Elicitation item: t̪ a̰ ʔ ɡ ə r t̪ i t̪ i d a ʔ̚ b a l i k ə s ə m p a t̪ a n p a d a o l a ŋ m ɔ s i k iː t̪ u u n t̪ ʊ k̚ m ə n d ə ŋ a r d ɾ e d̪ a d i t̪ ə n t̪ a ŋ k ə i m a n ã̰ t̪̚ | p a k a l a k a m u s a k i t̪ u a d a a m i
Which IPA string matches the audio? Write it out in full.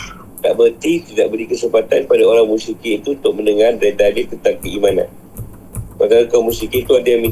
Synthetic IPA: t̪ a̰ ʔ b ə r t̪ i t̪ i d a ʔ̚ b ə l i k ə s ə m p a t̪ a n p a d a o ɾ a ŋ m u s i k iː t̪ u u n t̪ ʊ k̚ m ə n d ə ŋ a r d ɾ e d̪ a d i t̪ ə n t̪ a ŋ k ə i m a n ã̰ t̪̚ | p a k a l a k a m u s i k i t̪ u a d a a m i